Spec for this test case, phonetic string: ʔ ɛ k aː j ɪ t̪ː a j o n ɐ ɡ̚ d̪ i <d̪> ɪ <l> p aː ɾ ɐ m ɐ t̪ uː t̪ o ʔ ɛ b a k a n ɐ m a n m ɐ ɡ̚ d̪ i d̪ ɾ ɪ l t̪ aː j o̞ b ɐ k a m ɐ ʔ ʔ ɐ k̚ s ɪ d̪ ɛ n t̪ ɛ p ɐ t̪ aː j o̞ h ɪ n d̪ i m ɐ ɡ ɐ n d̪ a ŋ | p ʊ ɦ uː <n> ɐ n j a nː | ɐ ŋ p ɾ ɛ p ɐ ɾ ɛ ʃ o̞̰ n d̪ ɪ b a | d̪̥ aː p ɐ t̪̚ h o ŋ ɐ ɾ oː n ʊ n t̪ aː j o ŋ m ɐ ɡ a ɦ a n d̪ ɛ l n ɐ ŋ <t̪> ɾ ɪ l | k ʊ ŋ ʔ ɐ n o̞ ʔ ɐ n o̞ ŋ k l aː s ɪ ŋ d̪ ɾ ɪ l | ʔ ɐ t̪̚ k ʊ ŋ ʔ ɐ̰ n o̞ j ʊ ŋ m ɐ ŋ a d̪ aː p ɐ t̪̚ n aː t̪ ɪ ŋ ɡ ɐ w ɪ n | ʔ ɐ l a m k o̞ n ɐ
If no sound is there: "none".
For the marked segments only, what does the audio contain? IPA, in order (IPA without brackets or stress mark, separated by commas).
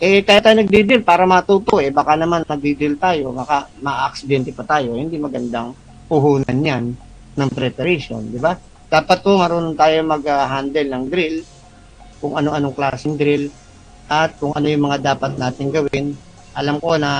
d̪, l, n, d̪